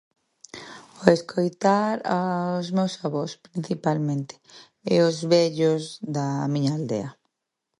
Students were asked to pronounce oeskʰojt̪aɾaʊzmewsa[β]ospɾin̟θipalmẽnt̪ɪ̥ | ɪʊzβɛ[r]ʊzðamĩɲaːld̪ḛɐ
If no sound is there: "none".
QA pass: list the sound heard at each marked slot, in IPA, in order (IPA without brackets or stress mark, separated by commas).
β, ʎ